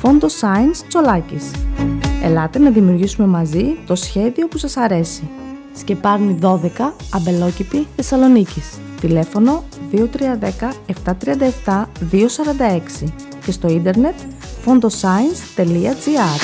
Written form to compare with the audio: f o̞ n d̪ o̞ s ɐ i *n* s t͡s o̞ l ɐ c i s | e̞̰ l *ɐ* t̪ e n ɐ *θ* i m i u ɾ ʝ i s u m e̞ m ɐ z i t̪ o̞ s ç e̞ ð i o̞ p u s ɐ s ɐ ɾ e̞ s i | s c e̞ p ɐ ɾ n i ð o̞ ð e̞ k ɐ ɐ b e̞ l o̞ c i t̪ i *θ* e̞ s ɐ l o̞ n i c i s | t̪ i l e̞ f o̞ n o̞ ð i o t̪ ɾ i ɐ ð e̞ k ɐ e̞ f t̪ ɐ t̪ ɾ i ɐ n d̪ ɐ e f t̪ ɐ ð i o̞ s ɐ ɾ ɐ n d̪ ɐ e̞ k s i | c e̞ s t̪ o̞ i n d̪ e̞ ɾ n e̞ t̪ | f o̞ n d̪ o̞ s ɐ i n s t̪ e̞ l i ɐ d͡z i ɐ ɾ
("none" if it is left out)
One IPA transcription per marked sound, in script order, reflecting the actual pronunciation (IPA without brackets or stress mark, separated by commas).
n, ɐ, ð, θ